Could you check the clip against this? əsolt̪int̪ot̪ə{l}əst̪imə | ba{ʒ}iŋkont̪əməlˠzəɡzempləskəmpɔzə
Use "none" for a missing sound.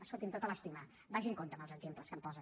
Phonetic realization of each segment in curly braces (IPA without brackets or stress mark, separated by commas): l, ʒ